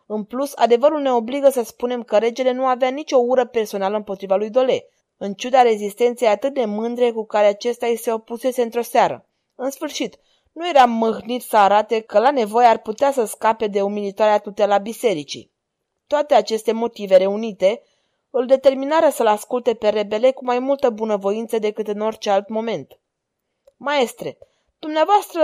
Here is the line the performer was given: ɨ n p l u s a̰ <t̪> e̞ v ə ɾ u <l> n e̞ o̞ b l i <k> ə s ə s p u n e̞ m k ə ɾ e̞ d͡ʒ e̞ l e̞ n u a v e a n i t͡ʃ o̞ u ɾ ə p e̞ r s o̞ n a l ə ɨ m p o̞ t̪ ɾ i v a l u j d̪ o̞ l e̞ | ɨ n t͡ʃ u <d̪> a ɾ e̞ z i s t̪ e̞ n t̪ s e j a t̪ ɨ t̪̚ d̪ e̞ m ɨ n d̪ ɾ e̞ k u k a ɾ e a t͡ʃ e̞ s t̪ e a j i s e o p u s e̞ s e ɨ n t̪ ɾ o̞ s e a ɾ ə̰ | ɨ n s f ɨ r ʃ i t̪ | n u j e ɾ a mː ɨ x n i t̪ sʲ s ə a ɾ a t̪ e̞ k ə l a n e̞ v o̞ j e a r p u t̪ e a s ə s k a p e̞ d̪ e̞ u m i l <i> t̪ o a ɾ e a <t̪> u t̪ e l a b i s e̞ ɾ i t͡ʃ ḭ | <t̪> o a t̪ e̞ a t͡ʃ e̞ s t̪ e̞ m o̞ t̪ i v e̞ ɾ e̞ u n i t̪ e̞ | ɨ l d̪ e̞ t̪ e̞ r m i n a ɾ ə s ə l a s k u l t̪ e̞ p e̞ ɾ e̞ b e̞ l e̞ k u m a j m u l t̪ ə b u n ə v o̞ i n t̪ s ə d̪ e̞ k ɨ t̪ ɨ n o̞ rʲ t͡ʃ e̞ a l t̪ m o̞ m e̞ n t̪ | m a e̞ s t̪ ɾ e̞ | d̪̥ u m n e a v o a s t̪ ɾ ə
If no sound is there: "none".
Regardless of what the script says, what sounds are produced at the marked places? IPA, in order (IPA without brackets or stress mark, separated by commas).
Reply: d̪, l, ɡ, d̪, i, t̪, t̪